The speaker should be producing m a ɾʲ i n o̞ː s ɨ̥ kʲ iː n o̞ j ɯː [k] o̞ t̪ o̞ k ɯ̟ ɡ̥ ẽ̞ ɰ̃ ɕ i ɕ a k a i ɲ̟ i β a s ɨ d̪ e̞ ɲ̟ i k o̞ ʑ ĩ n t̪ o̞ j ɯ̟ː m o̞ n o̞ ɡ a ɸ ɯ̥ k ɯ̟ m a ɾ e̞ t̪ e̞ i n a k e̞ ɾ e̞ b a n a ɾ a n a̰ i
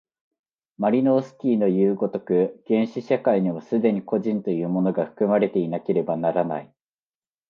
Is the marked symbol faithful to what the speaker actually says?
no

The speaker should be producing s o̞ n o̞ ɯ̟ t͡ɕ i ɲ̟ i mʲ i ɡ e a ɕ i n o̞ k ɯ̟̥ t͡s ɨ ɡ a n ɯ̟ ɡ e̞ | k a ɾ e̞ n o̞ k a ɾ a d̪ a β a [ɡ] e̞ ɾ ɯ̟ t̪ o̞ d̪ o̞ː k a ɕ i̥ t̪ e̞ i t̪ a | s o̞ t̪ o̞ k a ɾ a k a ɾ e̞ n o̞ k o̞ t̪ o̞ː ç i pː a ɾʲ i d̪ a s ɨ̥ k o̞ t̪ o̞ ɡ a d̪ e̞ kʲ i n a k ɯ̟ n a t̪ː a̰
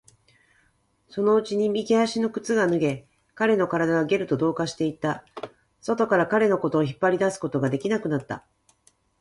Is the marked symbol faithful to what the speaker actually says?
yes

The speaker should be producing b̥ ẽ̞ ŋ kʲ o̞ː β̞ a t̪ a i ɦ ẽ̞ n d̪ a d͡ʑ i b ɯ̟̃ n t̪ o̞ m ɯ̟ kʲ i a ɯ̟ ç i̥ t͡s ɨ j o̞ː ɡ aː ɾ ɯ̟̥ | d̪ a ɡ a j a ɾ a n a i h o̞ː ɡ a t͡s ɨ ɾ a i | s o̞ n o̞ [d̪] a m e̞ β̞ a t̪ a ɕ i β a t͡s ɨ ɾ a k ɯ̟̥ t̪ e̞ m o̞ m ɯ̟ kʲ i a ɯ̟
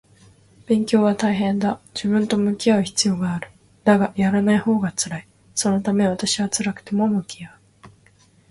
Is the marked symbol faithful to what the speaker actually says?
no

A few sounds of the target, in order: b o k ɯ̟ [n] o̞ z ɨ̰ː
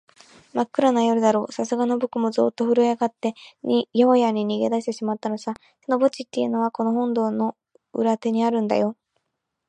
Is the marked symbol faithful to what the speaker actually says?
no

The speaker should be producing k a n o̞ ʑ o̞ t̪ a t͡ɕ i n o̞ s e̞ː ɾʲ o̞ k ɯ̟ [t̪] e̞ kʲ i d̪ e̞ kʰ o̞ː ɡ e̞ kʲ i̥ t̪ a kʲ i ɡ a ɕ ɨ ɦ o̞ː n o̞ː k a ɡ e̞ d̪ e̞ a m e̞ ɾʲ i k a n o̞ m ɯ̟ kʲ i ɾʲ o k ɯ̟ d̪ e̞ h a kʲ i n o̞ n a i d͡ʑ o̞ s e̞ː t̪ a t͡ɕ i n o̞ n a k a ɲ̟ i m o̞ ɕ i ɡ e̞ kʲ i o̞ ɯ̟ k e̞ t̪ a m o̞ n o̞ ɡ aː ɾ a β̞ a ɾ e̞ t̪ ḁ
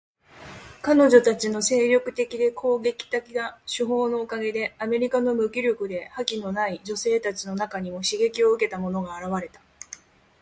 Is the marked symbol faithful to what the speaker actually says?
yes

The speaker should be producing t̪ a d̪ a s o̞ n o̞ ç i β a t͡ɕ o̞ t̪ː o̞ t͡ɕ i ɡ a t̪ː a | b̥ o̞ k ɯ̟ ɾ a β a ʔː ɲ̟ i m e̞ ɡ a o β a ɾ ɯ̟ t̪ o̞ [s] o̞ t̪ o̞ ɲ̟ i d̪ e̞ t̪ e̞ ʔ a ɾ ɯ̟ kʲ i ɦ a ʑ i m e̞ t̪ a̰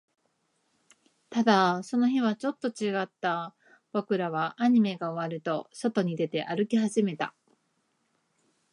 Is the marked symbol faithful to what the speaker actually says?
yes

